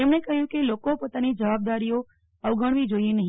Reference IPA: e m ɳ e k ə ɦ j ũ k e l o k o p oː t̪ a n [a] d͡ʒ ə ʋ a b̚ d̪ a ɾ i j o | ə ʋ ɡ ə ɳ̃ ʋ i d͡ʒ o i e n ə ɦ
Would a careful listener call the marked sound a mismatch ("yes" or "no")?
yes